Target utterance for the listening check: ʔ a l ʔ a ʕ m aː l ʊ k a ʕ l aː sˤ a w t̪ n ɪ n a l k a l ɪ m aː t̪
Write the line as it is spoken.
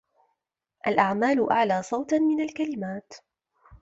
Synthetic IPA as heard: ʔ a l ʔ a ʕ m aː l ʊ ʔ a ʕ l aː sˤ ɑ w t̪ m ɪ n a l k a l ɪ m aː t̪